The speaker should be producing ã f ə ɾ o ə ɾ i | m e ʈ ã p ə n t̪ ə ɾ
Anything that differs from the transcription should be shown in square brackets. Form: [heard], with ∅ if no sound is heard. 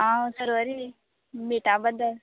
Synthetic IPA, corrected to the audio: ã [s] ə ɾ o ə ɾ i | m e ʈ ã [b] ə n [d̪] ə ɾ